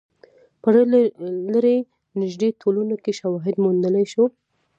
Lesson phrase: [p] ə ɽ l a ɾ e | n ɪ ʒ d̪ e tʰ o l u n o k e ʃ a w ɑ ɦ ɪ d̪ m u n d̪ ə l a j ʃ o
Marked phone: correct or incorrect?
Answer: correct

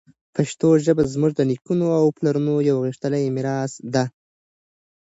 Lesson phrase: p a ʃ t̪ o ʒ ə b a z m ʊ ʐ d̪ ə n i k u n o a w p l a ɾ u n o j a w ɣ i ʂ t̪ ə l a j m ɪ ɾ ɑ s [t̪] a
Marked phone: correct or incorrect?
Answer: incorrect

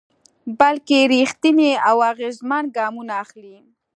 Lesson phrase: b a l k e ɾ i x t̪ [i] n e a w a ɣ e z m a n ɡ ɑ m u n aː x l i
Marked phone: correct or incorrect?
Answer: correct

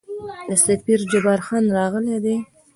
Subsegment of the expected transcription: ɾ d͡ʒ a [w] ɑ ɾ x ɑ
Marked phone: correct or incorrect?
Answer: incorrect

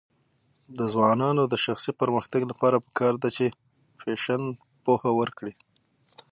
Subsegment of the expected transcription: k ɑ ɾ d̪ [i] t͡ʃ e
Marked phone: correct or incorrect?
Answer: incorrect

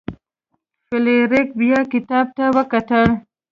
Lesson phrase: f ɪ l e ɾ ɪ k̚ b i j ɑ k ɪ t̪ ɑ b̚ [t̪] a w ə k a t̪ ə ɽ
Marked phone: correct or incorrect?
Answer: correct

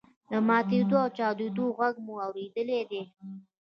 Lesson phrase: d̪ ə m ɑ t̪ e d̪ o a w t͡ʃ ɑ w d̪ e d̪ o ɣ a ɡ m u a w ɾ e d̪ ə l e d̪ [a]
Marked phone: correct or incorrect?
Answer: incorrect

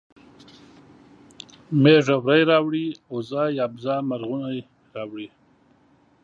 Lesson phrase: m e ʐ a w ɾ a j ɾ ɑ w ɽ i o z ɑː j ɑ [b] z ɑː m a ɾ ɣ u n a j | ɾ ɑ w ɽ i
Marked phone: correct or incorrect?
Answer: correct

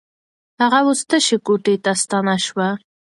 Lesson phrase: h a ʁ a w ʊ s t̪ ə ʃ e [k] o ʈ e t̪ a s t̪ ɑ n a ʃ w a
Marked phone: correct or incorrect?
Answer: correct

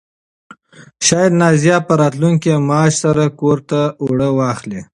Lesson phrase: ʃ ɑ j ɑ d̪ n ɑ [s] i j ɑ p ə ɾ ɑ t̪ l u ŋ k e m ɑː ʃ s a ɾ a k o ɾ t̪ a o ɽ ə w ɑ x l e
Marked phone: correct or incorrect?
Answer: incorrect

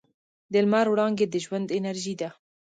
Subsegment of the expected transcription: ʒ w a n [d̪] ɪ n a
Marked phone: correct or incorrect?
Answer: correct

